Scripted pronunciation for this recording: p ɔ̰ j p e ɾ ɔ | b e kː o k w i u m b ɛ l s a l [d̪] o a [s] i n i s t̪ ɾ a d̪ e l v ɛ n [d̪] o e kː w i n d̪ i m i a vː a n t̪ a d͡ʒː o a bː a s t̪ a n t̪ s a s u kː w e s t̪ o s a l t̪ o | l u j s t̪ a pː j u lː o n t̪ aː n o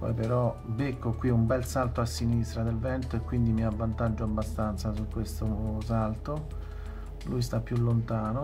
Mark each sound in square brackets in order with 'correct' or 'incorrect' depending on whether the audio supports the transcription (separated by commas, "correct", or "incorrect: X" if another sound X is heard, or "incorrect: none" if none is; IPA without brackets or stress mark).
incorrect: t̪, incorrect: sː, incorrect: t̪